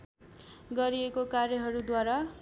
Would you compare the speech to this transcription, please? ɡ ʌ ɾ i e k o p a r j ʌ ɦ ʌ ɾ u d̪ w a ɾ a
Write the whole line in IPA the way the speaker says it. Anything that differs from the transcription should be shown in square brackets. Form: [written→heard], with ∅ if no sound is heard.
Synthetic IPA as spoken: ɡ ʌ ɾ i e k o [p→k] a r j ʌ ɦ ʌ ɾ u d̪ w a ɾ a